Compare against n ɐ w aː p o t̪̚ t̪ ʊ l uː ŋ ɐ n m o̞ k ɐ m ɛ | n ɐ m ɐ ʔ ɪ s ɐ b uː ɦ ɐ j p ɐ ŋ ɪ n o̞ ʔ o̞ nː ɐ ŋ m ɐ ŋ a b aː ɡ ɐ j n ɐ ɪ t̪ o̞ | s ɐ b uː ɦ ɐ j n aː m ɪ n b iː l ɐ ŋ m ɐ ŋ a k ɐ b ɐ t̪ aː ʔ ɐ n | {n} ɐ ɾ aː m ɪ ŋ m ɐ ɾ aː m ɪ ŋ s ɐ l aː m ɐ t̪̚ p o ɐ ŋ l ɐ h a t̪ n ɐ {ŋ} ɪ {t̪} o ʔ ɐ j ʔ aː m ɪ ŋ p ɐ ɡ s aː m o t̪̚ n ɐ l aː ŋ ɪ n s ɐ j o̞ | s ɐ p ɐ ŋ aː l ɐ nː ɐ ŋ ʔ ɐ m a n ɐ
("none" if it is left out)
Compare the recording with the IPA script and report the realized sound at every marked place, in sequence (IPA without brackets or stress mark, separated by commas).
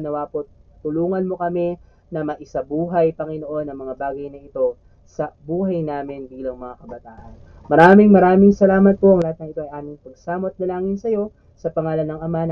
m, ŋ, t̪